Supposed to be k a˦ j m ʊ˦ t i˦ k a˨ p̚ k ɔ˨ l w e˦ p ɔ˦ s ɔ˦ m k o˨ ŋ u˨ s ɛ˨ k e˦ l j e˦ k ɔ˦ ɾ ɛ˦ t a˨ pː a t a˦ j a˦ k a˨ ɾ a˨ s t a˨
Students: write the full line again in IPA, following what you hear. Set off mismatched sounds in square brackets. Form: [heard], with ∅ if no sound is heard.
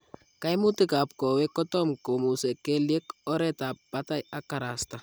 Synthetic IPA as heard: k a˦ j m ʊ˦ t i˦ k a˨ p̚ k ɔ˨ [∅] w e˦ [k] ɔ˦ [t] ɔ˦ m k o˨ [m] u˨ s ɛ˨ k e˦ l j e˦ k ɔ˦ ɾ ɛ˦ t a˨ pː a t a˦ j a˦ k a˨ ɾ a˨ s t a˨